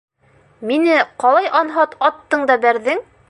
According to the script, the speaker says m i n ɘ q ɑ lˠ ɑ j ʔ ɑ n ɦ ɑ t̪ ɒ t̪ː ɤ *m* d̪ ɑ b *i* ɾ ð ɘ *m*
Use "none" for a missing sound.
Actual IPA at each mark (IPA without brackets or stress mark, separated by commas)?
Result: ɴ, æ, ŋ